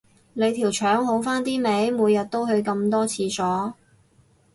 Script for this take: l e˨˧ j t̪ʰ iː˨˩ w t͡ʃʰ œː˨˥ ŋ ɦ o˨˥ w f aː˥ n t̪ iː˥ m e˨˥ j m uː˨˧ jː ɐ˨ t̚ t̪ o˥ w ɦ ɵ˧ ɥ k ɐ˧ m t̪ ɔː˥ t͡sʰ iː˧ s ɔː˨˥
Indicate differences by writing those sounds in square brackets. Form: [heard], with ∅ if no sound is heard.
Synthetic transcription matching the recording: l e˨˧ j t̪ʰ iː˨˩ w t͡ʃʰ œː˨˥ ŋ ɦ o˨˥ w f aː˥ n t̪ iː˥ m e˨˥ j m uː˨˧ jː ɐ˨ t̚ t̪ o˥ w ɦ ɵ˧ ɥ k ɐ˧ m t̪ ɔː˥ t͡sʰ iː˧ s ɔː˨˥